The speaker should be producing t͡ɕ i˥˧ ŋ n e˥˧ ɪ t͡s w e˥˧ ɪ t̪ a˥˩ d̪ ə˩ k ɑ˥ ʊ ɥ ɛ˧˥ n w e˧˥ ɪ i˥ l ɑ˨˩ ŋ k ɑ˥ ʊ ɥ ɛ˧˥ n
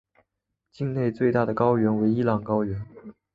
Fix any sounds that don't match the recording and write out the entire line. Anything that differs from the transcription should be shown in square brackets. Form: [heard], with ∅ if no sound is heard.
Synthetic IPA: t͡ɕ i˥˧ ŋ n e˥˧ ɪ t͡s w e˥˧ ɪ t̪ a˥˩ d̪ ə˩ k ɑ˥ ʊ ɥ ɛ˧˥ n w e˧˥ ɪ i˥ l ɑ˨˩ ŋ k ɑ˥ ʊ ɥ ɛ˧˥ n